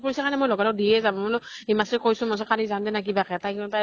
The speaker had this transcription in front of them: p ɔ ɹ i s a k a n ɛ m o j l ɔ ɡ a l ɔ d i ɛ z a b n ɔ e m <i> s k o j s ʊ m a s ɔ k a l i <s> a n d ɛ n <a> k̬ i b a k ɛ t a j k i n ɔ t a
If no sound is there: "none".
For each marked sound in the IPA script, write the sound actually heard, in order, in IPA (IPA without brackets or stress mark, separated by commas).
a, z, a